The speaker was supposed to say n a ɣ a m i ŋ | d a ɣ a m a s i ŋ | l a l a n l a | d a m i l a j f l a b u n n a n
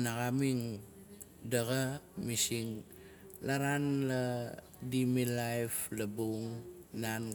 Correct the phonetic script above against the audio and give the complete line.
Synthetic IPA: n a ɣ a m i ŋ | d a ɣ a m i s i ŋ | l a ɾ a n l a | d i m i l a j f l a b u ŋ n a n